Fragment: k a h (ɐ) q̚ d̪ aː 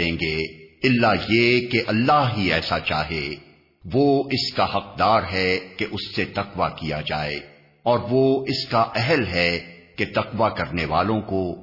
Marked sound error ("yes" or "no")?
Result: no